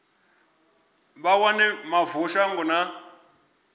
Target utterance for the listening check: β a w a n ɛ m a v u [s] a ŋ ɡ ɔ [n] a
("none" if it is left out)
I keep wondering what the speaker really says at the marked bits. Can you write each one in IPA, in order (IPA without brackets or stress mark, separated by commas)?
ʃ, n